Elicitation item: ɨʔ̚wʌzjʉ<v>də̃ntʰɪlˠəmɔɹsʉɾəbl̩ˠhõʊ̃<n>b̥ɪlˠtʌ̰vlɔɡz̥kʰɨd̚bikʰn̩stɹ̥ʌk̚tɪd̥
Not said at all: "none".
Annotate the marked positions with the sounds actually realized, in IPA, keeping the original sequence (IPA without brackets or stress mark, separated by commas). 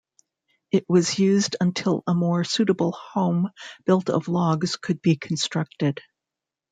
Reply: z, m